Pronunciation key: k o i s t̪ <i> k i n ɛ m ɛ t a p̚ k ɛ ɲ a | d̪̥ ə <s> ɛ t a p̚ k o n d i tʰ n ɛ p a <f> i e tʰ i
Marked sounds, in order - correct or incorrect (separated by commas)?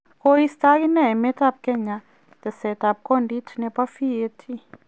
incorrect, correct, correct